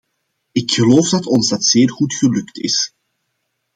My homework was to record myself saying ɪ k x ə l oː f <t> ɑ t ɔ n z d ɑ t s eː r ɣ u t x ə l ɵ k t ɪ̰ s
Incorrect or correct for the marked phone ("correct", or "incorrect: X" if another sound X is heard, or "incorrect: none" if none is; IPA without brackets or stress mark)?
incorrect: d